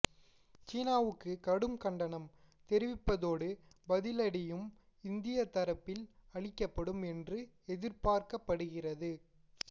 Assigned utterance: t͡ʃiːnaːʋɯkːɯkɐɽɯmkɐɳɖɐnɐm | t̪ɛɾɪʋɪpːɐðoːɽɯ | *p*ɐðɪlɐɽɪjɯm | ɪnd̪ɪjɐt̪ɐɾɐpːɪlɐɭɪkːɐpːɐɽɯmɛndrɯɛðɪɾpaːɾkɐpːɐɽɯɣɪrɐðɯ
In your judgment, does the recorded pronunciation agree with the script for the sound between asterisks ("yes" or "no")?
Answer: no